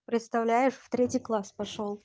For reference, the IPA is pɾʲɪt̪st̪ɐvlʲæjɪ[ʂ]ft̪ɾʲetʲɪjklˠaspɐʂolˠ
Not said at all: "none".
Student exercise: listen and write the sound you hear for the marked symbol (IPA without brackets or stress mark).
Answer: ʂ